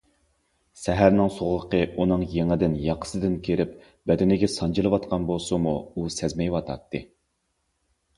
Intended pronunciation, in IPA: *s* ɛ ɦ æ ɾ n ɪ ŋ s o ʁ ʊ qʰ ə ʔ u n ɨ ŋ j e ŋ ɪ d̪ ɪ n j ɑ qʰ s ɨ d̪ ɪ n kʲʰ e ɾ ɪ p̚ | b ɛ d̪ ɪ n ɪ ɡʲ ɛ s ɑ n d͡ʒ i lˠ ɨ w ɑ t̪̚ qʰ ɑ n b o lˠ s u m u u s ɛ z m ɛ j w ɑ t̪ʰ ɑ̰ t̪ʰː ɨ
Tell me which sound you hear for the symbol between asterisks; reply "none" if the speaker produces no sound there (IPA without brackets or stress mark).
s